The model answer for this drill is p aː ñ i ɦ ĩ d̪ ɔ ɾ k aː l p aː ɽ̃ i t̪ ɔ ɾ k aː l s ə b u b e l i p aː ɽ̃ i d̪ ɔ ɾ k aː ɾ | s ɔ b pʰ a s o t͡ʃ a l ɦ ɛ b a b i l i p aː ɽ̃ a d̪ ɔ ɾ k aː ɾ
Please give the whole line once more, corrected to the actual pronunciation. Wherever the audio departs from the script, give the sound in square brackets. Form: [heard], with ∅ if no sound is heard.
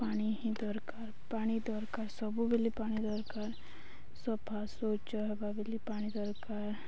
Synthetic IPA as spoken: p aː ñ i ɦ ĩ d̪ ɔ ɾ k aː [ɾ] p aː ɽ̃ i [d̪] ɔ ɾ k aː [ɾ] s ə b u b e l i p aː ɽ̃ i d̪ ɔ ɾ k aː ɾ | s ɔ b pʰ a s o t͡ʃ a [∅] ɦ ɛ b a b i l i p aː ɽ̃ [i] d̪ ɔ ɾ k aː ɾ